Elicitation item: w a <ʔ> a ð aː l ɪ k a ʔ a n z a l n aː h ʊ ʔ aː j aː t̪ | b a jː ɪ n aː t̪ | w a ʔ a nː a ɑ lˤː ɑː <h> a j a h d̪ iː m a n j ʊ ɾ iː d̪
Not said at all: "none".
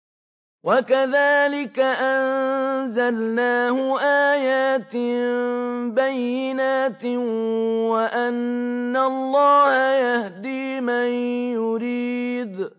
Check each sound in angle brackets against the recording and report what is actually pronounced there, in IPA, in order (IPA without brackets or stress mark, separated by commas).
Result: k, h